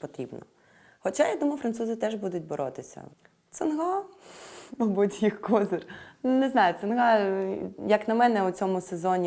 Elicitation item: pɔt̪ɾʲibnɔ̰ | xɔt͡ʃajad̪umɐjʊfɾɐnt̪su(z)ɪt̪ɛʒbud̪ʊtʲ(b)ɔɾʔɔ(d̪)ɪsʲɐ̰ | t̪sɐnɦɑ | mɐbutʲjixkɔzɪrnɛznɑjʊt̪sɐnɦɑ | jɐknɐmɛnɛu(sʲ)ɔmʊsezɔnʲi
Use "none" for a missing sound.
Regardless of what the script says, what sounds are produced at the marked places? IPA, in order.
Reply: z, b, t̪, t͡sʲ

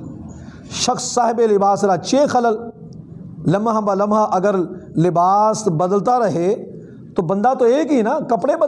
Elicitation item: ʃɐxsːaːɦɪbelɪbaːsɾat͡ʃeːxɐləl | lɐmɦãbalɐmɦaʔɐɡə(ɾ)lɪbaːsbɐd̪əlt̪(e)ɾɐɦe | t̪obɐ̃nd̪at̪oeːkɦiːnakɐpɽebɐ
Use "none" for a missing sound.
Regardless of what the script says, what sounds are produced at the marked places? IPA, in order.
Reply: ɾ, a

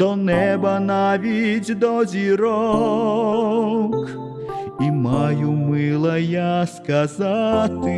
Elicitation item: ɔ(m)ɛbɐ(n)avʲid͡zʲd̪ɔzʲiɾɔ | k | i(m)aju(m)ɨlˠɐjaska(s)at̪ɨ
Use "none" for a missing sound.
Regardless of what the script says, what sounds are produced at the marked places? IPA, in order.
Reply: n, n, m, m, z

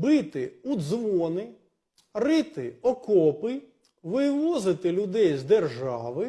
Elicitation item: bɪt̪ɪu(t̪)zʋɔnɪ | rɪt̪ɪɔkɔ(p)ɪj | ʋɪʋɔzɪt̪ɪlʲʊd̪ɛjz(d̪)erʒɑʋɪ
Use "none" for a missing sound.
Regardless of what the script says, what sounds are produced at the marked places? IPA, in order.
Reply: d̪, p, d̪

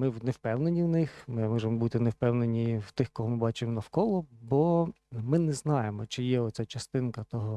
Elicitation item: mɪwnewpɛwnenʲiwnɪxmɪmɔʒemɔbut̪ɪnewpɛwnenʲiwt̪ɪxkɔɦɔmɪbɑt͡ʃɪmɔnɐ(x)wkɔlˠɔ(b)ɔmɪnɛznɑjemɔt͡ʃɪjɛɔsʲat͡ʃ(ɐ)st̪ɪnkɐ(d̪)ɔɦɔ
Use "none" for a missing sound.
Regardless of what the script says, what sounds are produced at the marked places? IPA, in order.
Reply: none, b, ɐ, t̪

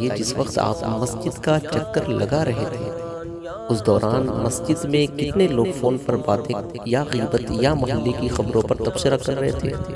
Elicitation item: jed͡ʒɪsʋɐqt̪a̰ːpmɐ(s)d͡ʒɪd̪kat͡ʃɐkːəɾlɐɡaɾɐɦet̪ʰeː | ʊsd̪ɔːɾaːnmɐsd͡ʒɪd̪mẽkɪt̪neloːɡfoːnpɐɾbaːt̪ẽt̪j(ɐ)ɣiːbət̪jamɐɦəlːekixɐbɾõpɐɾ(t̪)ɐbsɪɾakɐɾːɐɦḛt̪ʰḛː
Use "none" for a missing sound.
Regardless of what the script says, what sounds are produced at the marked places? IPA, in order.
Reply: s, a, t̪

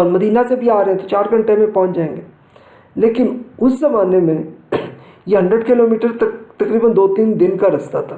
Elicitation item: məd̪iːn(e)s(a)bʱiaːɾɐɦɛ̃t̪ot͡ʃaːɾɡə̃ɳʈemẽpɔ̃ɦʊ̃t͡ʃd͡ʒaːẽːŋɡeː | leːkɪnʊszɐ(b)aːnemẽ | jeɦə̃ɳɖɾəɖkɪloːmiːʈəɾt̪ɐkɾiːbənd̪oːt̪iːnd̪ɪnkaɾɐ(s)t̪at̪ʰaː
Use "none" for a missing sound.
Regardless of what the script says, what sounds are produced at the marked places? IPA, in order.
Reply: a, e, m, s

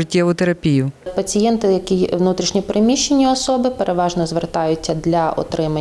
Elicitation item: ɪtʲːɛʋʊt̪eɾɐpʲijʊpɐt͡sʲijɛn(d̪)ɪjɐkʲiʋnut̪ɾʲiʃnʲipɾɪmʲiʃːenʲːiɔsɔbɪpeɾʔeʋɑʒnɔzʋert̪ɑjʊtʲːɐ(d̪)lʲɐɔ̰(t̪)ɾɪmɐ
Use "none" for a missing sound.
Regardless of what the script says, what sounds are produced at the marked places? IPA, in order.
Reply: t̪, d̪, t̪

